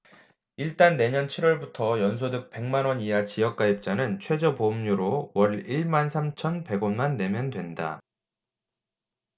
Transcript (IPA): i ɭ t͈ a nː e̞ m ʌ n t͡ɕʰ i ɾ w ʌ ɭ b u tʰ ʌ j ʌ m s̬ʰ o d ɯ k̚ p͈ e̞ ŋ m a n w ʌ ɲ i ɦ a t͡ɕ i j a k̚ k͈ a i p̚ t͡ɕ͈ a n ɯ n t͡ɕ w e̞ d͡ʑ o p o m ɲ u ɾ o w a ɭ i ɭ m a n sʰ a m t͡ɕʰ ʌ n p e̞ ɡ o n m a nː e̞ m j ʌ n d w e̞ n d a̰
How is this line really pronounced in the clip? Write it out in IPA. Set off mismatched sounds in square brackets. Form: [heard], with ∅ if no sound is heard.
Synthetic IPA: i ɭ t͈ a nː e̞ [ɲ] ʌ n t͡ɕʰ i ɾ w ʌ ɭ b u tʰ ʌ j ʌ [n] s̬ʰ o d ɯ k̚ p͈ e̞ ŋ m a n w ʌ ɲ i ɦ a t͡ɕ i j [ʌ] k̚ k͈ a i p̚ t͡ɕ͈ a n ɯ n [t͡ɕʰ] w e̞ d͡ʑ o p o m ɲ u ɾ o w [ʌ] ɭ i ɭ m a n sʰ a m t͡ɕʰ ʌ n p e̞ ɡ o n m a nː e̞ m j ʌ n d w e̞ n d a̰